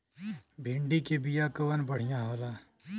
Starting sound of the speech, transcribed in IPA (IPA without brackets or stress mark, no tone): bʱ